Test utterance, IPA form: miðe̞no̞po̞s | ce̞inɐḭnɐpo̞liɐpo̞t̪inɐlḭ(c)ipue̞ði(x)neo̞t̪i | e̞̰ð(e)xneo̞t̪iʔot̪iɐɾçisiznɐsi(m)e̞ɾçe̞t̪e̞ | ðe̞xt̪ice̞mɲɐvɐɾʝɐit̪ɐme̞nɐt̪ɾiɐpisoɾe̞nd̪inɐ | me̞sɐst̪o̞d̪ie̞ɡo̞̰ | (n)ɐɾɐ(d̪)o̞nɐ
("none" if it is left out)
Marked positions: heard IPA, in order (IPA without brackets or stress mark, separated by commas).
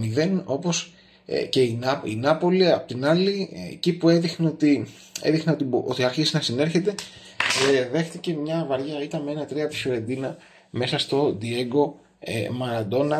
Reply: c, x, i, n, m, d̪